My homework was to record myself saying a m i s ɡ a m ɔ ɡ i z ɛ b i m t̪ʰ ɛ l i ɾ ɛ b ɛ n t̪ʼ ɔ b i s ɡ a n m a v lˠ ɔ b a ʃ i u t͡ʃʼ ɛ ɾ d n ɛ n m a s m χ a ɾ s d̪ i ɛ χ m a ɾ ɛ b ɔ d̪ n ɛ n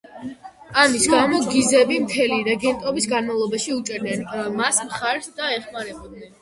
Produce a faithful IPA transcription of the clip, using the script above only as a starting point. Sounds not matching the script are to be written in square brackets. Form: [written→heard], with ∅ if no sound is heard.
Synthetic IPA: a m i s ɡ a m ɔ ɡ i z ɛ b i m t̪ʰ ɛ l i ɾ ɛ [b→ɡ] ɛ n t̪ʼ ɔ b i s ɡ a n m a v lˠ ɔ b a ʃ i u t͡ʃʼ ɛ ɾ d n ɛ n m a s m χ a ɾ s d̪ [i→a] ɛ χ m a ɾ ɛ b ɔ d̪ n ɛ n